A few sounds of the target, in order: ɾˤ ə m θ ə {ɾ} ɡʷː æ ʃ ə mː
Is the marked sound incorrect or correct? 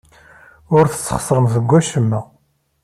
incorrect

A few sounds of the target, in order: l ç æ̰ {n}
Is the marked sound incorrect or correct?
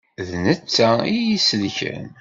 correct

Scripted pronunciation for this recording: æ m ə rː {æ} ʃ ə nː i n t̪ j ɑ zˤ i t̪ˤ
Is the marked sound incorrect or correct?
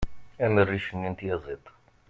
incorrect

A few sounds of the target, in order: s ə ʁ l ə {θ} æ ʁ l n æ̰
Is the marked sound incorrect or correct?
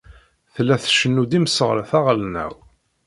correct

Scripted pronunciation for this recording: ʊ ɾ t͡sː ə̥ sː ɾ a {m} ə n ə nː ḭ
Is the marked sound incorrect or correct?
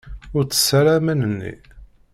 correct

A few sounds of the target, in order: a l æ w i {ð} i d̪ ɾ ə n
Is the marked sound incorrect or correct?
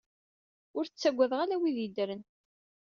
correct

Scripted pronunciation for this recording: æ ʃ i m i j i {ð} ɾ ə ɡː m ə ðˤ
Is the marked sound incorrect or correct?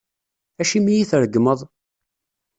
incorrect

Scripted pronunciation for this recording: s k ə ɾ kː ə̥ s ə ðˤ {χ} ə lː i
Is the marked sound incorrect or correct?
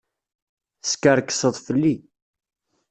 incorrect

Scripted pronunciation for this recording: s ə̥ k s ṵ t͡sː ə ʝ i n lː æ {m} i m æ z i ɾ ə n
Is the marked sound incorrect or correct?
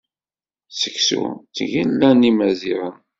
incorrect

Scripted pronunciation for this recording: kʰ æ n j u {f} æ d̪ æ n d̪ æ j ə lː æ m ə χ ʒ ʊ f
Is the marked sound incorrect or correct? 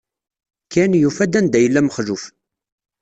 correct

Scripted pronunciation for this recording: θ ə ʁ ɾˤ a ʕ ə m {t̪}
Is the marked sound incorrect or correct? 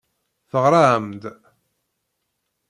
incorrect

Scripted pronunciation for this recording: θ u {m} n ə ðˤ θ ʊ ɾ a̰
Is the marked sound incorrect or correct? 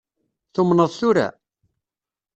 correct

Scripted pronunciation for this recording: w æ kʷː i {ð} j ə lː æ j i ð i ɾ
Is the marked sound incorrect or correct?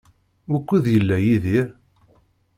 correct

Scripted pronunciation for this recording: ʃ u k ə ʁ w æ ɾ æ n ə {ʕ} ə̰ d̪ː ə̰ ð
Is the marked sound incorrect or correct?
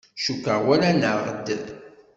incorrect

